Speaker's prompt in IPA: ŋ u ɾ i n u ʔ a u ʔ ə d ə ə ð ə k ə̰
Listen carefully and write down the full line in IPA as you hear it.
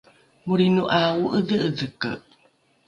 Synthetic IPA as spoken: m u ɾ i n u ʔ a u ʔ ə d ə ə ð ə k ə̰